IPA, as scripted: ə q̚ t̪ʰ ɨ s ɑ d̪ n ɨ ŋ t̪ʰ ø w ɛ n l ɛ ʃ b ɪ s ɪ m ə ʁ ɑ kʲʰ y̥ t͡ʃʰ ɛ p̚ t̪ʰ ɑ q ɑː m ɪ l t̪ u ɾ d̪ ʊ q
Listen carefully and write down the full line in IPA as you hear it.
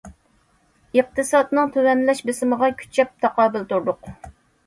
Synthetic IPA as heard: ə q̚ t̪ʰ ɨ s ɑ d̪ n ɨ ŋ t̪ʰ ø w ɛ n l ɛ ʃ b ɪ s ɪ m ə ʁ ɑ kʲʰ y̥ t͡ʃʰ ɛ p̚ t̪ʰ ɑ q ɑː b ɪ l t̪ u ɾ d̪ ʊ q